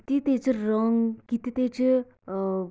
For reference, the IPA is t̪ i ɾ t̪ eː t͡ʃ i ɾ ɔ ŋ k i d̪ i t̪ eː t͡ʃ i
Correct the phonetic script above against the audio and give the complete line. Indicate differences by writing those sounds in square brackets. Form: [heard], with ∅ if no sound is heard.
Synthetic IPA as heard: t̪ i [∅] t̪ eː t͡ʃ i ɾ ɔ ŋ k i [t̪] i t̪ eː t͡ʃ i